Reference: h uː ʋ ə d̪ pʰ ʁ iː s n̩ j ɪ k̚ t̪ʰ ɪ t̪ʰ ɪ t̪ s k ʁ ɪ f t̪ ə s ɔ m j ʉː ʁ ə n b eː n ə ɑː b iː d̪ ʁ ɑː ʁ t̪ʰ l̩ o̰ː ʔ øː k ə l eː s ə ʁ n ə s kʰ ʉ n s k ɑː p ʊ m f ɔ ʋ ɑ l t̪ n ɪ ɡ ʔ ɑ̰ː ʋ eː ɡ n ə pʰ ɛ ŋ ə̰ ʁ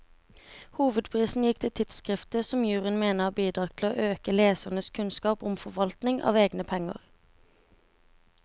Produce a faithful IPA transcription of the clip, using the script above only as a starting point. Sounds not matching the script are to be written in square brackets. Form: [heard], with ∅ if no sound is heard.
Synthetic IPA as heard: h uː ʋ ə d̪ pʰ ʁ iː s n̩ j ɪ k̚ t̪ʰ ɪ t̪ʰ ɪ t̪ s k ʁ ɪ f t̪ ə s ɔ m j ʉː ʁ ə n [m] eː n ə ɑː b iː d̪ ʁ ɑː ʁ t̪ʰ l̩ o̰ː ʔ øː k ə l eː s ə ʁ n ə s kʰ ʉ n s k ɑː p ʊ m f ɔ ʋ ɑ l t̪ n ɪ [ŋ] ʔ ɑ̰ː ʋ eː ɡ n ə pʰ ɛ ŋ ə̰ ʁ